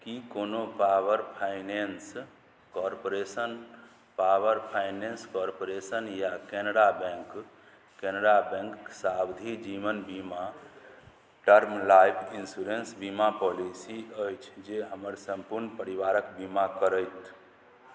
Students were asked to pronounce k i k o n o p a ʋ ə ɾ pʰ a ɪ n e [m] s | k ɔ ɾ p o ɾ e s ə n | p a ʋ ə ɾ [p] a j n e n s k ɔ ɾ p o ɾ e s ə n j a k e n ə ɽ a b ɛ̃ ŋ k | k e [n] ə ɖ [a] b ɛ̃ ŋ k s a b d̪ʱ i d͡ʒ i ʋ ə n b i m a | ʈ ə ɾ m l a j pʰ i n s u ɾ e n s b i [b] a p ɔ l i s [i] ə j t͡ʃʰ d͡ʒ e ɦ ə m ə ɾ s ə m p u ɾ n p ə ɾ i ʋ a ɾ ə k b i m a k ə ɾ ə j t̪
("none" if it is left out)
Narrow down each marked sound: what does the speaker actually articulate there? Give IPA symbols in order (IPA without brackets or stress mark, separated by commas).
n, pʰ, n, a, m, i